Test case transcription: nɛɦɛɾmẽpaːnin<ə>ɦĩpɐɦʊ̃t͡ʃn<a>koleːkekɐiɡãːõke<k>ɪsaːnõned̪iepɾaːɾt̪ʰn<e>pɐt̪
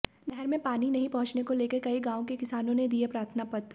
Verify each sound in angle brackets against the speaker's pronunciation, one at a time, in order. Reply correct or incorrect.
incorrect: ɐ, incorrect: e, correct, incorrect: a

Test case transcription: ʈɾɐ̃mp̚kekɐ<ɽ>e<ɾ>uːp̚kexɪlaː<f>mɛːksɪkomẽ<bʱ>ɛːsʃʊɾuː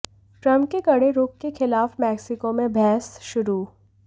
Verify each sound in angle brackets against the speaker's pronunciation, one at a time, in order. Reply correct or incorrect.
correct, correct, correct, correct

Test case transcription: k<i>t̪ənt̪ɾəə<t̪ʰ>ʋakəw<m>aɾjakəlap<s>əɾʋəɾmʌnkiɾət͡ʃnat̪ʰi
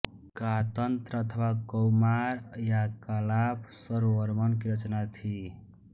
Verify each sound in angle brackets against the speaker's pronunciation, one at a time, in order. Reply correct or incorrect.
incorrect: a, correct, correct, correct

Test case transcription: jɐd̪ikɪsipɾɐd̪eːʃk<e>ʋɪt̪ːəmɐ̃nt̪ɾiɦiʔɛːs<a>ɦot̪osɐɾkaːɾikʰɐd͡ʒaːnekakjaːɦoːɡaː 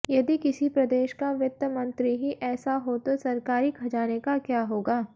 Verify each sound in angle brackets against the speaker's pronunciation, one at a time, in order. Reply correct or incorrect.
incorrect: a, correct

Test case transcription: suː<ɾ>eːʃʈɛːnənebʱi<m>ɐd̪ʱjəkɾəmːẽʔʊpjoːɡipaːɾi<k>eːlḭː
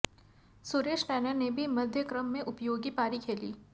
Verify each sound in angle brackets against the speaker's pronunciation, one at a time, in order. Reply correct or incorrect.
correct, correct, incorrect: kʰ

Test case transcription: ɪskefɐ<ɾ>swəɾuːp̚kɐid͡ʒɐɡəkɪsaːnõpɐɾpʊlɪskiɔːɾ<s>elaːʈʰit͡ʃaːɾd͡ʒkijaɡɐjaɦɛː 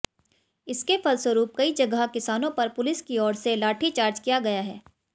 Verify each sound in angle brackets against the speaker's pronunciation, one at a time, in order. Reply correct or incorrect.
incorrect: l, correct

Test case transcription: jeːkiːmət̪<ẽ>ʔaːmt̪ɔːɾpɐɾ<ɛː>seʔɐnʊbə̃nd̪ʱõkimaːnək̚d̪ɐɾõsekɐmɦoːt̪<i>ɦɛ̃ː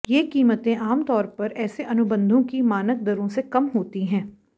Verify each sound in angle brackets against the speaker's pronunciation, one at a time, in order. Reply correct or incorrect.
correct, correct, correct

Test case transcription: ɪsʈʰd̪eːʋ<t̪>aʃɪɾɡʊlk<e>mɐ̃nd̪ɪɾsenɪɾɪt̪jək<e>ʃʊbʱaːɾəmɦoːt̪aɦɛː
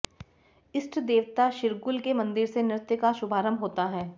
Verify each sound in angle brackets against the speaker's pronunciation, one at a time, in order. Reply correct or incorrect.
correct, correct, incorrect: a

